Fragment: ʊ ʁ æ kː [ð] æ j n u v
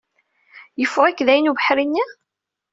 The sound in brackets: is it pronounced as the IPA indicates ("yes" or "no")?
yes